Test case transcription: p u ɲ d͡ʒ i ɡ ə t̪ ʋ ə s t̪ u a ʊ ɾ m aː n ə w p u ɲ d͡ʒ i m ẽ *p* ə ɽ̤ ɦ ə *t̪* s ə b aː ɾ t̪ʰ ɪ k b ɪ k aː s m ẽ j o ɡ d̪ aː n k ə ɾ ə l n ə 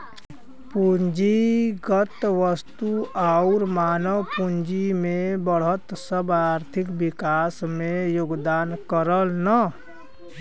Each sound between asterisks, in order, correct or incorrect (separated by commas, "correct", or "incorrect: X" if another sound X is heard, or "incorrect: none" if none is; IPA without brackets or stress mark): incorrect: b, correct